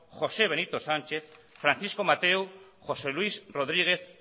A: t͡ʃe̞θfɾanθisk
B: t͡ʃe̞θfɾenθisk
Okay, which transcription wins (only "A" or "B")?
A